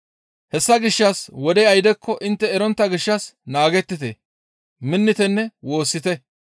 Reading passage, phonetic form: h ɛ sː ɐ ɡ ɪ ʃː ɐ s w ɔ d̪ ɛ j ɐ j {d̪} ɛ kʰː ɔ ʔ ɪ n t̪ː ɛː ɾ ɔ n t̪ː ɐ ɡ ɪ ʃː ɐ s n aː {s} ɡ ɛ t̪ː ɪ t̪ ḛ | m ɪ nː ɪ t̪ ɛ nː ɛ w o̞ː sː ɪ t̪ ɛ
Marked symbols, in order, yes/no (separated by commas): yes, no